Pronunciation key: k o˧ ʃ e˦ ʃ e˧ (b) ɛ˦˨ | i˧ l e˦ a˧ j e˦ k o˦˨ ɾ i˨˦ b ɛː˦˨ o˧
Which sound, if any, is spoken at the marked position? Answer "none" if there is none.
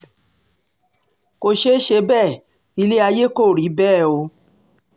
b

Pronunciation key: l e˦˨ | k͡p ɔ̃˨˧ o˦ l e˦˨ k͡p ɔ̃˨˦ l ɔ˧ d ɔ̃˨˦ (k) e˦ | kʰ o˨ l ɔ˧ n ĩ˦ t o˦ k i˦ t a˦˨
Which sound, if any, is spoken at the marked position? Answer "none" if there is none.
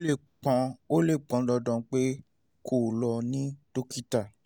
k͡p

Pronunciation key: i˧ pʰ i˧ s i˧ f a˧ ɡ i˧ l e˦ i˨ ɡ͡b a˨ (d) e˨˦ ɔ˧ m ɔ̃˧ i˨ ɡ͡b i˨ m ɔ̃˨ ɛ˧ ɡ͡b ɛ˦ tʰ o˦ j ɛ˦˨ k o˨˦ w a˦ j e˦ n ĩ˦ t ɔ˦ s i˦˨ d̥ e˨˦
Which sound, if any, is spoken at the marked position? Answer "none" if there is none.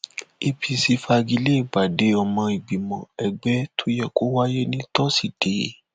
d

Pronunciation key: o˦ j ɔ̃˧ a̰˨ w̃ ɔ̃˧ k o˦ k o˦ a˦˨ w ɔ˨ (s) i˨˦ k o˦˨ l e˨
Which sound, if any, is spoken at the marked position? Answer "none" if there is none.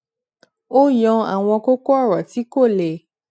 t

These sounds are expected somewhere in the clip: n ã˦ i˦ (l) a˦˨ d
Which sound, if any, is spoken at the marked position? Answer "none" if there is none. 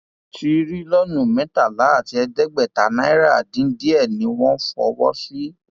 ɾ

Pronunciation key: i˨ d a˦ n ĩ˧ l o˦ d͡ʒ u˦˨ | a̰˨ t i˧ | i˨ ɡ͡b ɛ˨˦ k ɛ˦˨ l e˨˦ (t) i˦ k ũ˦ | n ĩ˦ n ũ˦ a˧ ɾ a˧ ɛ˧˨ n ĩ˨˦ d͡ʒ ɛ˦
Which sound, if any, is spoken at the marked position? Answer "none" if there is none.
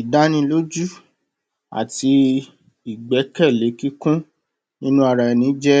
k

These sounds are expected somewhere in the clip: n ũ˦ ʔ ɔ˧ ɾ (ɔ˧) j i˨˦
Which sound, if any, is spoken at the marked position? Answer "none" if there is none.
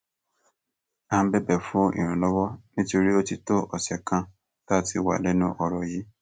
ɔ˧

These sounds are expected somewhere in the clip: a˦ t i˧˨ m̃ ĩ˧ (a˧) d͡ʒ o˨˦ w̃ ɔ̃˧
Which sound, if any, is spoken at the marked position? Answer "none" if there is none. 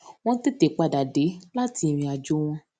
a˧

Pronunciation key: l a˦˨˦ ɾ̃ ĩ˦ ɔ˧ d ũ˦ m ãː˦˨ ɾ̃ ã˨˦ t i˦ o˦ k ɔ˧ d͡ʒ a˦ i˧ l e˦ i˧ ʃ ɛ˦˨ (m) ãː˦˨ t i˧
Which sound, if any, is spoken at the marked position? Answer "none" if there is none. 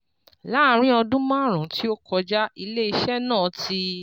n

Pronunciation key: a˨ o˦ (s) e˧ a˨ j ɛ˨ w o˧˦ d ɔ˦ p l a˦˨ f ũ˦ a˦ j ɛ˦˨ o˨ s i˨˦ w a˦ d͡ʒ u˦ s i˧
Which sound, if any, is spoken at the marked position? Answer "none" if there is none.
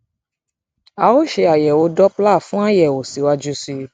ʃ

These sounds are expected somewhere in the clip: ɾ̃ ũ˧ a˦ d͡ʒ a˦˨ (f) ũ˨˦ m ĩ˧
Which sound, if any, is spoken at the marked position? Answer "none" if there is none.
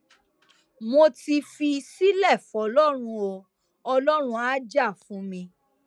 f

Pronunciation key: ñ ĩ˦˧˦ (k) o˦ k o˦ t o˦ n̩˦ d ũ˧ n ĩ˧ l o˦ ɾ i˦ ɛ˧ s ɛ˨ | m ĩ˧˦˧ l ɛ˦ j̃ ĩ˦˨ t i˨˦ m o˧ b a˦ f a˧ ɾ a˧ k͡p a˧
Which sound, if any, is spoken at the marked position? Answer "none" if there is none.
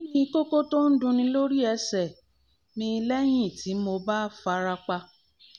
k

